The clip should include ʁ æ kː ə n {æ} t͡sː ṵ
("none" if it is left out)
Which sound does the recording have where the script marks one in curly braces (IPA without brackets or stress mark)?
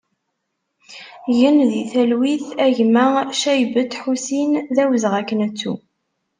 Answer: æ